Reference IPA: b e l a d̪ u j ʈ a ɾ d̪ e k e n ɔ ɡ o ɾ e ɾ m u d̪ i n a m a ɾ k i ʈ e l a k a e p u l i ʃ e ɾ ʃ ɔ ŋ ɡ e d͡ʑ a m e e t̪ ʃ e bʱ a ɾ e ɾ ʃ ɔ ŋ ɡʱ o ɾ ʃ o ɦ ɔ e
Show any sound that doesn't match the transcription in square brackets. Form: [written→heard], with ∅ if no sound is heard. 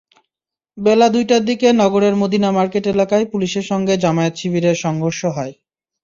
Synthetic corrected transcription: b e l a d̪ u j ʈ a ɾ d̪ [e→i] k e n ɔ ɡ o ɾ e ɾ m [u→o] d̪ i n a m a ɾ k [i→e] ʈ e l a k a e p u l i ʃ e ɾ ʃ ɔ ŋ ɡ e d͡ʑ a m [e→a] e t̪ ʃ [e→i] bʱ [a→i] ɾ e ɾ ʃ ɔ ŋ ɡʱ o ɾ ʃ o ɦ ɔ e